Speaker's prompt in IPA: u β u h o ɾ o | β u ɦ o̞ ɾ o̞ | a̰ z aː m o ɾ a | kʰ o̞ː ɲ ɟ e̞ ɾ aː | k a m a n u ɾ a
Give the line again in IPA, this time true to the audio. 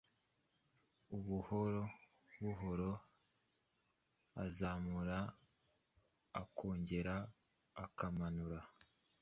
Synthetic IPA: u β u h o ɾ o | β u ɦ o̞ ɾ o̞ | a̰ z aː m u ɾ a | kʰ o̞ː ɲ ɟ e̞ ɾ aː | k a m a n u ɾ a

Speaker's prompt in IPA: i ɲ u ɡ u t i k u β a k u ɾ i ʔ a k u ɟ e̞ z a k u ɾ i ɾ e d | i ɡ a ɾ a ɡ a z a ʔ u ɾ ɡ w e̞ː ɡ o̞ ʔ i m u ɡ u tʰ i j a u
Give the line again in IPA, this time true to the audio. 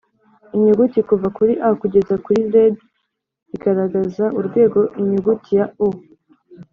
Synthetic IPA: i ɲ u ɡ u t i k u v a k u ɾ i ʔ a k u ɟ e̞ z a k u ɾ i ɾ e d | i ɡ a ɾ a ɡ a z a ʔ u ɾ ɡ w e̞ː ɡ o̞ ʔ i ɲ u ɡ u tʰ i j a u

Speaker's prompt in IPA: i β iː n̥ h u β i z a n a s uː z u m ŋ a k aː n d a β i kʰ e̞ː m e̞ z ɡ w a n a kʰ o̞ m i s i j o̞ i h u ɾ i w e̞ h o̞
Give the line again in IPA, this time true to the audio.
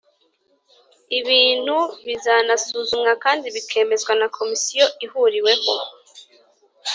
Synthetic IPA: i β iː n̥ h u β i z a n a s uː z u m ŋ a k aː n d i β i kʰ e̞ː m e̞ z ɡ w a n a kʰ o̞ m i s i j o̞ i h u ɾ i w e̞ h o̞

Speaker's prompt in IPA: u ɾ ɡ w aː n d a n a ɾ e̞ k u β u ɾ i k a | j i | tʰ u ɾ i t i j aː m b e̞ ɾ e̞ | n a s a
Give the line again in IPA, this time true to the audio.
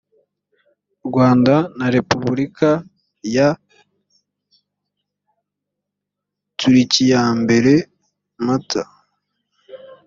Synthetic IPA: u ɾ ɡ w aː n d a n a ɾ e̞ p u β u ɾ i k a | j a | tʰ u ɾ i c i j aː m b e̞ ɾ e̞ | m a t a

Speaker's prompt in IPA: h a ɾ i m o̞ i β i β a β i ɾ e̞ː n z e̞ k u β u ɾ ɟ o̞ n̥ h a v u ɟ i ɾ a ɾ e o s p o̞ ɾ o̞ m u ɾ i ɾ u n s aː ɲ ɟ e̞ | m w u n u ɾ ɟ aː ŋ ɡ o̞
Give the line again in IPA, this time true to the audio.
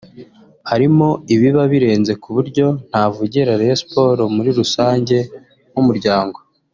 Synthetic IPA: h a ɾ i m o̞ i β i β a β i ɾ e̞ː n z e̞ k u β u ɾ ɟ o̞ n̥ h a v u ɟ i ɾ a ɾ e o s p o̞ ɾ o̞ m u ɾ i ɾ u s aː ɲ ɟ e̞ | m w u m u ɾ ɟ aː ŋ ɡ o̞

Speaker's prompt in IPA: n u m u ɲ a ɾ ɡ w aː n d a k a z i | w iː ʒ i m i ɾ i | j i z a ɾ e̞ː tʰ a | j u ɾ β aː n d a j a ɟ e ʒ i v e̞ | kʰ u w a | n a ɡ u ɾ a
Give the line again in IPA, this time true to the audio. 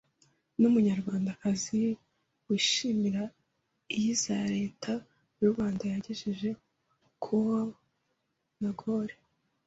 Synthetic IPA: n u m u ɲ a ɾ ɡ w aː n d a k a z i | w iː ʃ i m i ɾ a | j i z a ɾ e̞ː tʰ a | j u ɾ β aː n d a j a ɟ e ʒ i ʒ e̞ | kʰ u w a | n a ɡ o ɾ e

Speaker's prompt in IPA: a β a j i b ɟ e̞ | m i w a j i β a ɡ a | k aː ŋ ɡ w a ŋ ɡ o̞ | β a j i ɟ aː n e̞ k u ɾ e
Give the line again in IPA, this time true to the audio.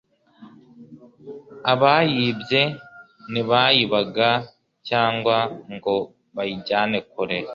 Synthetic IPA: a β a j i b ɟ e̞ | n i β a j i β a ɡ a | c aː ŋ ɡ w a ŋ ɡ o̞ | β a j i ɟ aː n e̞ k u ɾ e

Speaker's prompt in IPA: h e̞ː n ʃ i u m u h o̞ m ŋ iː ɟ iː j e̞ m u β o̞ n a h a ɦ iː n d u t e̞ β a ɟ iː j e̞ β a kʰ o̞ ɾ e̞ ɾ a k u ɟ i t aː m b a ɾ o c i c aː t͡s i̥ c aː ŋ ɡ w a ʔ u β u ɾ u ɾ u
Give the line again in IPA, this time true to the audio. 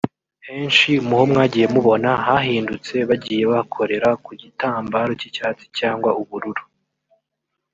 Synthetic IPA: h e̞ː n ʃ i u m u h o̞ m ŋ aː ɟ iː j e̞ m u β o̞ n a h a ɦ iː n d u t͡s e̞ β a ɟ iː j e̞ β a kʰ o̞ ɾ e̞ ɾ a k u ɟ i t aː m b a ɾ o c i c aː t͡s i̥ c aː ŋ ɡ w a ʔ u β u ɾ u ɾ u

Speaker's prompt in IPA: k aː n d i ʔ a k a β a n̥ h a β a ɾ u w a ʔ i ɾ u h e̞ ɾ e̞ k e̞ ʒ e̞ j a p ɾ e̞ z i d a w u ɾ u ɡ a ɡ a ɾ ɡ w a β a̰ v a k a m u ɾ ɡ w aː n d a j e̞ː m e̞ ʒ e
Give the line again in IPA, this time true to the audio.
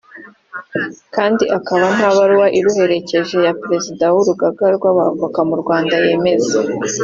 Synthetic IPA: k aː n d i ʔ a k a β a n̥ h a β a ɾ u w a ʔ i ɾ u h e̞ ɾ e̞ c e̞ ʒ e̞ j a p ɾ e̞ z i d a w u ɾ u ɡ a ɡ a ɾ ɡ w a β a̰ v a k a m u ɾ ɡ w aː n d a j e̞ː m e̞ z e

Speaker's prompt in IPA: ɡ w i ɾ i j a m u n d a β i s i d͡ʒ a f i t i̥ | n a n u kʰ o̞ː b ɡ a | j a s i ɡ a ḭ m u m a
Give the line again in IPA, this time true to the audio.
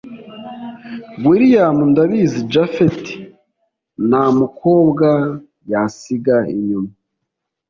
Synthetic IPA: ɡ w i ɾ i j a m u n d a β i z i d͡ʒ a f e t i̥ | n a m u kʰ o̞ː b ɡ a | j a s i ɡ a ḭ ɲ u m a

